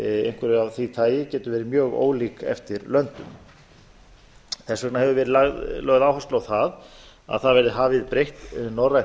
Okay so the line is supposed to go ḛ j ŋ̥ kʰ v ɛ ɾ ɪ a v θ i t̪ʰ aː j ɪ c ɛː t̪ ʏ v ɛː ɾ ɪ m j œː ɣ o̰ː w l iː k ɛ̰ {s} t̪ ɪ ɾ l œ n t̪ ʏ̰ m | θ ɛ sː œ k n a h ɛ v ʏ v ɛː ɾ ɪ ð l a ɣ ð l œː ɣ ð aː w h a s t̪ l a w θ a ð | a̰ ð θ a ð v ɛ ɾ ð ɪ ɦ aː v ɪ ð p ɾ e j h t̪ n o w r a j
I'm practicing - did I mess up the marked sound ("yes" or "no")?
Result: yes